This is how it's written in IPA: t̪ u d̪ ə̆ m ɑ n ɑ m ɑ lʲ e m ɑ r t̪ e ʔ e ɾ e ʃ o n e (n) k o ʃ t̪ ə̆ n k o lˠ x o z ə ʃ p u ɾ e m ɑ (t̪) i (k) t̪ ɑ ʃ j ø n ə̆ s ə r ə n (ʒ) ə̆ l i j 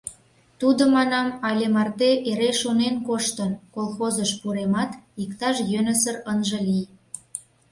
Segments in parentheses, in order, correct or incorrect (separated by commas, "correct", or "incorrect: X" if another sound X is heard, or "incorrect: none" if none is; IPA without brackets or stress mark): correct, correct, correct, correct